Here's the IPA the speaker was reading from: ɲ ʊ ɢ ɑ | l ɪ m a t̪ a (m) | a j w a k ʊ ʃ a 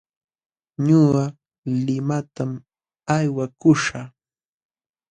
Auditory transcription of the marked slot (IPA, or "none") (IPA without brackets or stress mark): m